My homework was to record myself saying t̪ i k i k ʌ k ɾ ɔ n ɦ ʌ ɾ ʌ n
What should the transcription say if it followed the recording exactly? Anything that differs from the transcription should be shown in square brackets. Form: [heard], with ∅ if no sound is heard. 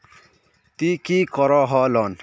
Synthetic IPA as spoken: t̪ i k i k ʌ [∅] ɾ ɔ [∅] ɦ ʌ [l] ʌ n